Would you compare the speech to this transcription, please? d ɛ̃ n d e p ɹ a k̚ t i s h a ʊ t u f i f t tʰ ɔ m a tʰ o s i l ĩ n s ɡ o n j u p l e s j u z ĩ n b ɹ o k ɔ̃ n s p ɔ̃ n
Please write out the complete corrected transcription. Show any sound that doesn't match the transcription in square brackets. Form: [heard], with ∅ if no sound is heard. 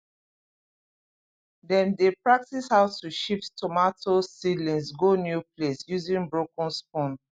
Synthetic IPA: d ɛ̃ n d e p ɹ a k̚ t i s h a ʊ t u [ʃ] i f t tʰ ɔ m a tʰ o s i l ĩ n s ɡ o n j u p l e s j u z ĩ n b ɹ o k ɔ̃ n s p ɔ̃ n

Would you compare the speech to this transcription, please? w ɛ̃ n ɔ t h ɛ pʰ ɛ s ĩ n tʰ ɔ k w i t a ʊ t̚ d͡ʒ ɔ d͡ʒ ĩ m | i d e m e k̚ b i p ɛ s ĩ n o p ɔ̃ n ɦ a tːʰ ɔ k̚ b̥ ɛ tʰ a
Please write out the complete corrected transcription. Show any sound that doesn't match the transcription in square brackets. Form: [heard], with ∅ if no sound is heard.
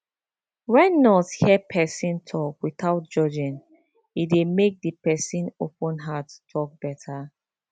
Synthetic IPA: w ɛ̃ [nː] ɔ t h ɛ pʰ ɛ s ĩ n tʰ ɔ k w i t a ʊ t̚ d͡ʒ ɔ d͡ʒ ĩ [n] | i d e m e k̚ [d] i p ɛ s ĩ n o p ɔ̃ n ɦ a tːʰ ɔ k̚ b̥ ɛ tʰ a

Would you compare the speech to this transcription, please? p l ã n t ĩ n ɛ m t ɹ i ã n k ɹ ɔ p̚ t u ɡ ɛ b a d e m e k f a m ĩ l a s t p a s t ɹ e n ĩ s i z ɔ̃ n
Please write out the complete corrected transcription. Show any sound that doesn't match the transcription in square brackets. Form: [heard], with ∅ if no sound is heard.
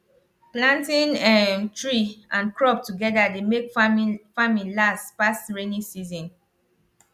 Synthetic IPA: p l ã n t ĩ n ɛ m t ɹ i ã n k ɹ ɔ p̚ t u ɡ ɛ [d] a d e m e k f a m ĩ l a s t p a s t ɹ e n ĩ s i z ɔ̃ n

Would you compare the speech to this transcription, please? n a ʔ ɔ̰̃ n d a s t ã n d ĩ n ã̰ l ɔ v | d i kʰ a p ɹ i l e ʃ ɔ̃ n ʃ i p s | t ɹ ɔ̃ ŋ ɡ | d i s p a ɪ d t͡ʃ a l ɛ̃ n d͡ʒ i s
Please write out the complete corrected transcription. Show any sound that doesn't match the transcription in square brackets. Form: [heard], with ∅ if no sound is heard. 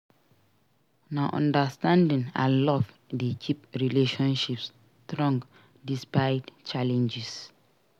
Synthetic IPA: n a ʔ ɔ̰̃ n d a s t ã n d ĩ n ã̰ l ɔ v | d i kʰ [i] p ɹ i l e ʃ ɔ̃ n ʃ i p s | t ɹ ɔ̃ ŋ ɡ | d i s p a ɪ d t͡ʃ a l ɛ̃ n d͡ʒ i s

